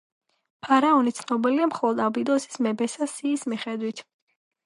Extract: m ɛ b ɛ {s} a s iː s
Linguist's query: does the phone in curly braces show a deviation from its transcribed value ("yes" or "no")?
no